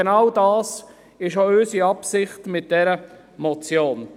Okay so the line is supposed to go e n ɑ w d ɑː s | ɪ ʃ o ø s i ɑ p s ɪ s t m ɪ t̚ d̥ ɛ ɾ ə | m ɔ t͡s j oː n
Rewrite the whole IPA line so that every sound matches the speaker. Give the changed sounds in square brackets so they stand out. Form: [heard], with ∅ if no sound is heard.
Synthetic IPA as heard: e n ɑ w d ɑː s | ɪ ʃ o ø s i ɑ p s ɪ [χ] t m ɪ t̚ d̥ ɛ ɾ ə | m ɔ t͡s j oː n